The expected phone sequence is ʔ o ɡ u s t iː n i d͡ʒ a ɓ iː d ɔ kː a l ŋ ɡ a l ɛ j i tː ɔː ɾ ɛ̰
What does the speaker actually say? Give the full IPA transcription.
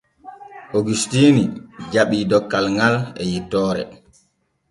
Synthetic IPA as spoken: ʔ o ɡ u s t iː n i d͡ʒ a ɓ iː d ɔ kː a l ŋ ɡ a l ɛ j i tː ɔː ɾ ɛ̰